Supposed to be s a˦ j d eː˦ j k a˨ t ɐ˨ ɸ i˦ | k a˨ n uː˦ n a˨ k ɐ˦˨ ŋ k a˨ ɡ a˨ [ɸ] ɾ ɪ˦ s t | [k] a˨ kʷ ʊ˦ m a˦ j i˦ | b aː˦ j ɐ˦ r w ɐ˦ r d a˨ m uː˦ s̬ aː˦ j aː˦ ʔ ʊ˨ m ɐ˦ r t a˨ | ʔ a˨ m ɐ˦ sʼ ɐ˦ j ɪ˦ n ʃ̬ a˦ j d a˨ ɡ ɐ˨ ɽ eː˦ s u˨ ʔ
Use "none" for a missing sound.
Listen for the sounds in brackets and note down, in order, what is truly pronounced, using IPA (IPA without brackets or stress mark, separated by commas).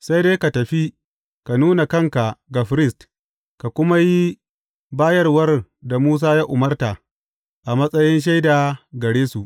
ɸ, k